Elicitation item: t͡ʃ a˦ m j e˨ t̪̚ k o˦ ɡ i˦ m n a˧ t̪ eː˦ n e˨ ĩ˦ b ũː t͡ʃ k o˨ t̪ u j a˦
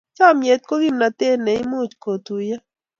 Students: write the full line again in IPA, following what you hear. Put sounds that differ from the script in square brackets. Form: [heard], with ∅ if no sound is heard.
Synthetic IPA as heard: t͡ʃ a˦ m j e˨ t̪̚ k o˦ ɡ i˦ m n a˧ t̪ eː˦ n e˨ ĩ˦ [m] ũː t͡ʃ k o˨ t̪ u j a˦